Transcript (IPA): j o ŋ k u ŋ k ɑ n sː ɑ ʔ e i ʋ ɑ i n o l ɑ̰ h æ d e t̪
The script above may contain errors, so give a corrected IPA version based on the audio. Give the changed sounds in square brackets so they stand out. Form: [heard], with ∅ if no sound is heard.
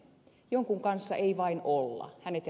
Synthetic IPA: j o ŋ k u ŋ k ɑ n sː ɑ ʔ e i ʋ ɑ i n o [lː] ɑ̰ h æ [n] e t̪